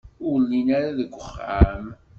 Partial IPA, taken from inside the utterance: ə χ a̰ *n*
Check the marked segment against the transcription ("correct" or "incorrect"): incorrect